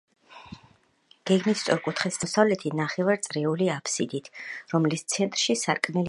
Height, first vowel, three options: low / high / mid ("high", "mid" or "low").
mid